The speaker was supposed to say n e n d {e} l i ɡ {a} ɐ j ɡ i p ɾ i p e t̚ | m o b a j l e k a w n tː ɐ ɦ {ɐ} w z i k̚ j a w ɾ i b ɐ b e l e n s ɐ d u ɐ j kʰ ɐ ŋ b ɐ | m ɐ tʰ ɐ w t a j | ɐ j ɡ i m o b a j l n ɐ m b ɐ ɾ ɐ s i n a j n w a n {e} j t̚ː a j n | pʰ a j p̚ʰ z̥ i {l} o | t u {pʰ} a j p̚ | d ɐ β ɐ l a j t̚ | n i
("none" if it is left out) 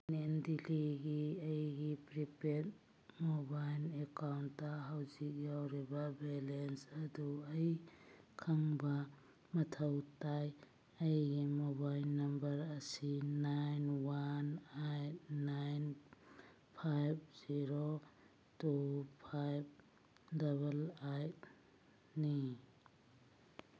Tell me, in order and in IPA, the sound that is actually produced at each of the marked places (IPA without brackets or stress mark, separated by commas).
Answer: i, i, a, a, ɾ, pʰ